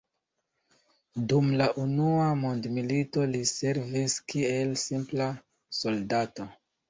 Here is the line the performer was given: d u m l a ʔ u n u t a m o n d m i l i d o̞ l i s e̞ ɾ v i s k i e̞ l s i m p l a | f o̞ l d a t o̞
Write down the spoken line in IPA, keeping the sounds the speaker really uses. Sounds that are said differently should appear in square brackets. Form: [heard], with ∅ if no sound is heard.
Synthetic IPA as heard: d u m l a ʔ u n u [∅] a m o n d m i l i [t] o̞ l i s e̞ ɾ v i s k i e̞ l s i m p l a | [s] o̞ l d a t o̞